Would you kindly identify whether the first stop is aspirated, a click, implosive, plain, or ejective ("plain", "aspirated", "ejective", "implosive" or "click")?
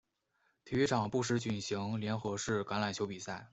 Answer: aspirated